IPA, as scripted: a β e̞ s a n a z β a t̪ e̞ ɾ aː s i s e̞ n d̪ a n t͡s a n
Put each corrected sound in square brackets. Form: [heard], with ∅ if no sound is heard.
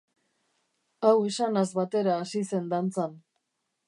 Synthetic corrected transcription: a [w] e̞ s a n a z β a t̪ e̞ ɾ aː s i s e̞ n d̪ a n t͡s a n